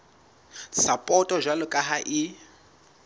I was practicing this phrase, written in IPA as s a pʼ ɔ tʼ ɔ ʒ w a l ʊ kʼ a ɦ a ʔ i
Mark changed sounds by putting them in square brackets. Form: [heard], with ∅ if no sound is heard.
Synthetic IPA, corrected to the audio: s a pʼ ɔ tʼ ɔ ʒ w a l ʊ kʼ a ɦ a ʔ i